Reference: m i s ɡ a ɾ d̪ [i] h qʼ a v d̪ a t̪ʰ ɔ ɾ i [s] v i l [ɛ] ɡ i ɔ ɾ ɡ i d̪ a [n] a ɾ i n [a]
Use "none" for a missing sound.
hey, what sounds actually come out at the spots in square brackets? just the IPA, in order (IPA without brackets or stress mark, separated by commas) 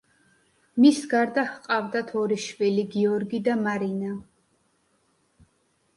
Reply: a, ʃ, i, m, a